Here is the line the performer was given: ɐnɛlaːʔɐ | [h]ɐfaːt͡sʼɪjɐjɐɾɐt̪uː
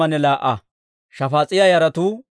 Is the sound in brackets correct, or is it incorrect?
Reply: incorrect